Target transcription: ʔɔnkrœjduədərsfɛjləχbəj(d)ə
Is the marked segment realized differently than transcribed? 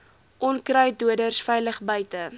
yes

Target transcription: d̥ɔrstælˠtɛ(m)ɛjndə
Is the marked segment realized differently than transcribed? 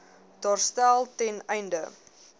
yes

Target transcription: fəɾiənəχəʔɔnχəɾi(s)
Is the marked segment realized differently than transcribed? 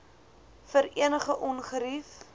yes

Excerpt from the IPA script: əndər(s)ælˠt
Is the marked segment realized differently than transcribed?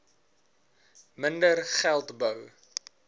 yes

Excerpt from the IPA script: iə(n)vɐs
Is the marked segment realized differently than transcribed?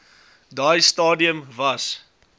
yes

